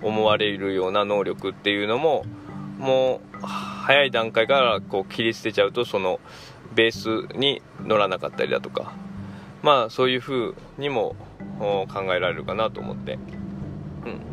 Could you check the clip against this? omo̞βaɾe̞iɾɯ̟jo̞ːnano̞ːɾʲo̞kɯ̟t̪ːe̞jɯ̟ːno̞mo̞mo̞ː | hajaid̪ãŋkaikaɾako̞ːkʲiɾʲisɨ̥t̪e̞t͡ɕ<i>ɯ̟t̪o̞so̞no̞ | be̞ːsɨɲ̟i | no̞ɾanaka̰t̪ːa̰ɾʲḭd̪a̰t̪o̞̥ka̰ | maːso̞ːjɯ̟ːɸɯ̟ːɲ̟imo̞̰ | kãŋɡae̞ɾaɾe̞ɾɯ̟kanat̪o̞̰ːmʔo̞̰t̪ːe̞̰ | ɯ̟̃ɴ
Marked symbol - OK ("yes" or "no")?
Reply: no